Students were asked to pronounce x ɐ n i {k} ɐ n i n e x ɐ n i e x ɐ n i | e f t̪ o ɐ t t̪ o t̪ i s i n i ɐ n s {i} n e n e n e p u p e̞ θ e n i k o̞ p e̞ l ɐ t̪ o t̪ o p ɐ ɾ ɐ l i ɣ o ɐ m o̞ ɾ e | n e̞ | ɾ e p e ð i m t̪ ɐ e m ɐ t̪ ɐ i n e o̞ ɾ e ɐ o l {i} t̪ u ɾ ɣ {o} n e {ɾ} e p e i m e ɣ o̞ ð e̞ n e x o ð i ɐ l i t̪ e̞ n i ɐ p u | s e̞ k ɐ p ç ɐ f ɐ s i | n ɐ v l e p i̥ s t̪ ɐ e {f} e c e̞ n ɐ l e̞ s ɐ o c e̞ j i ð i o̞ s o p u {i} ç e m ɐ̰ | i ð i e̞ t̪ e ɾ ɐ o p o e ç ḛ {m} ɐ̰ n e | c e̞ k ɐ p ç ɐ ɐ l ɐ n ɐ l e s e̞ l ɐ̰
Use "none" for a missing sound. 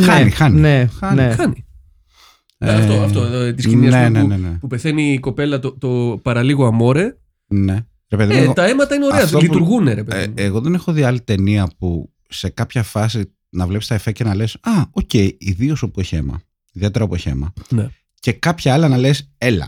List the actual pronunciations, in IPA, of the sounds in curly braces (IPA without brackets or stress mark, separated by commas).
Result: x, e, i, u, ɾ, f, e, m